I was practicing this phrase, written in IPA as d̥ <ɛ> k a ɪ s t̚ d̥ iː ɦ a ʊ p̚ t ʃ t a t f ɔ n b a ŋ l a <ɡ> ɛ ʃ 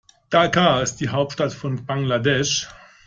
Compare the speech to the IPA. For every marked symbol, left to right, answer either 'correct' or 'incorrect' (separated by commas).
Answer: incorrect, incorrect